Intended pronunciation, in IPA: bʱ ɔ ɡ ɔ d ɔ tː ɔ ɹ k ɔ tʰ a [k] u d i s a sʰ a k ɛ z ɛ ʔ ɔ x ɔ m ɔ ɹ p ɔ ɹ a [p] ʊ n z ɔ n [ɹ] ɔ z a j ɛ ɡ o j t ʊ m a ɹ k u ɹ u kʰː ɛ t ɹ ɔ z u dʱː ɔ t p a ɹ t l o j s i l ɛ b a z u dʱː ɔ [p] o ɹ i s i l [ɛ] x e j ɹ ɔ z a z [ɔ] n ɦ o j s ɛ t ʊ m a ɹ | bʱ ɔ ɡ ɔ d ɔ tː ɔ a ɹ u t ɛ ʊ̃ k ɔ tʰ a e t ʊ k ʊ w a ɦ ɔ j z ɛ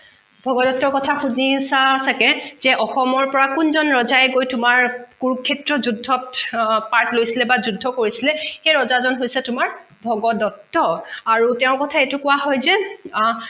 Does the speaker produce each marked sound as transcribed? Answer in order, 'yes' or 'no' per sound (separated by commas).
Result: no, no, yes, no, yes, yes